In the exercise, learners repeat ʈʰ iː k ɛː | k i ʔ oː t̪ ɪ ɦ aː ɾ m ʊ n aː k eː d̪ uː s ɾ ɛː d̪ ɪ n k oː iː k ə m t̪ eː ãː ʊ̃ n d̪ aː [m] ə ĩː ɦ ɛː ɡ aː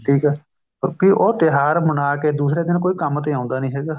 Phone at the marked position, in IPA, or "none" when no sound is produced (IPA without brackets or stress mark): n